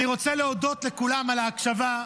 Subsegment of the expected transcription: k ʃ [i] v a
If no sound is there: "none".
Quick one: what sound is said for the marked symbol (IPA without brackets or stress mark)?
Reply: a